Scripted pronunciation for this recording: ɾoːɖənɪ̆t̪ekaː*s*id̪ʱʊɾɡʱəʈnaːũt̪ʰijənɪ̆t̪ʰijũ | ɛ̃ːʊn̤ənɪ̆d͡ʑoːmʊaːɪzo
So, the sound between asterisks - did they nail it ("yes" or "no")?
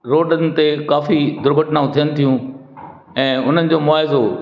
no